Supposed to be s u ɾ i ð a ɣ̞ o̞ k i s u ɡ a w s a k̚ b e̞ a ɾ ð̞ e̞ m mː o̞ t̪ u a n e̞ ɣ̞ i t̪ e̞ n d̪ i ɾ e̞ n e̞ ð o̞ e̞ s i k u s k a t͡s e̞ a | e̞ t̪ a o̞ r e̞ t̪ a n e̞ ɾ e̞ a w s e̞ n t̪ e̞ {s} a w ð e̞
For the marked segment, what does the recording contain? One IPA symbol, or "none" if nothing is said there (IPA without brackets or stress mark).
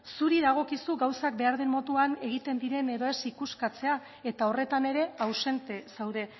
s